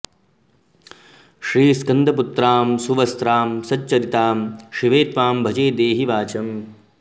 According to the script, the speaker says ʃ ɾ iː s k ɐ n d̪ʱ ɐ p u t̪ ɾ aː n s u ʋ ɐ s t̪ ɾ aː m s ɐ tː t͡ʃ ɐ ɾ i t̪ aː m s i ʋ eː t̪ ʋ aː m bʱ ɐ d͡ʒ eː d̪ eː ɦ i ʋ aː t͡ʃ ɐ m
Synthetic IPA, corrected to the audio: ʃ ɾ iː s k ɐ n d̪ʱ ɐ p u t̪ ɾ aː m s u ʋ ɐ s t̪ ɾ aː m s ɐ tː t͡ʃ ɐ ɾ i t̪ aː m ʃ i ʋ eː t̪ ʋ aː m bʱ ɐ d͡ʒ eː d̪ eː ɦ i ʋ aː t͡ʃ ɐ m